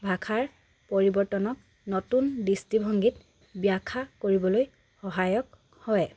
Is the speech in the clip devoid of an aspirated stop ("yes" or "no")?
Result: no